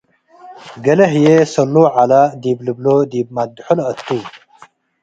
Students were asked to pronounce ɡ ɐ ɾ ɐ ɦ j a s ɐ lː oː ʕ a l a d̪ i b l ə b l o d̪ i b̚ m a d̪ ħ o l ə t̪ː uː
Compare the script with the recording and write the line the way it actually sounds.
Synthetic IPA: ɡ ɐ l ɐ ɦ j e s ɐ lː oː ʕ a l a d̪ i b l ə b l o d̪ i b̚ m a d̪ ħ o l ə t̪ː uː